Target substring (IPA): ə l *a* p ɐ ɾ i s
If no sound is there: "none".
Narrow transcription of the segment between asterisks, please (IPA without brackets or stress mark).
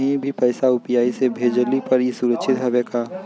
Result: i